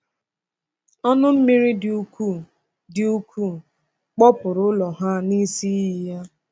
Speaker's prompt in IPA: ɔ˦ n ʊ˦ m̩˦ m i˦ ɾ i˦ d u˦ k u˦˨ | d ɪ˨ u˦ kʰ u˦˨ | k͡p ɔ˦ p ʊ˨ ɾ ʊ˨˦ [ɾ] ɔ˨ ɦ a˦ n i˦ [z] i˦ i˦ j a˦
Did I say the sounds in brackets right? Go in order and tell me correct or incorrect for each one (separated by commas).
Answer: incorrect, incorrect